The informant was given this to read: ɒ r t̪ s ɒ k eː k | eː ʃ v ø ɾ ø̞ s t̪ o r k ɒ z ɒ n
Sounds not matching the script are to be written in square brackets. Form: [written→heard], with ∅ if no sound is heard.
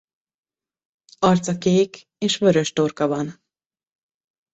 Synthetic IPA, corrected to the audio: ɒ r t̪ s ɒ k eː k | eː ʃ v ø ɾ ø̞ [s→ʃ] t̪ o r k ɒ [z→v] ɒ n